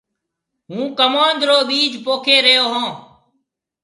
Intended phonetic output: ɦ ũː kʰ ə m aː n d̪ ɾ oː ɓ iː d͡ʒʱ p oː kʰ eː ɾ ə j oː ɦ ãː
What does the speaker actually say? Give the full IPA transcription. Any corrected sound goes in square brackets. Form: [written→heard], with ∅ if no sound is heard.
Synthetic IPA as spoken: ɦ ũː [kʰ→k] ə m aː n d̪ ɾ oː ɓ iː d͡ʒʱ p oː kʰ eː ɾ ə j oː ɦ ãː